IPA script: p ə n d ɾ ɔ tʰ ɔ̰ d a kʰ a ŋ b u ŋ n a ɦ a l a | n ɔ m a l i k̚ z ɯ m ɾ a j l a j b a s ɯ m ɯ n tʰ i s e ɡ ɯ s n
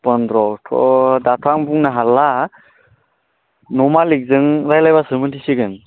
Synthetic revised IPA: p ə n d ɾ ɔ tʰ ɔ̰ d a tʰ a ŋ b u ŋ n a ɦ a l a | n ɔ m a l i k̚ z ɯ ŋ ɾ a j l a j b a s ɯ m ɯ n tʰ i s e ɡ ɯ n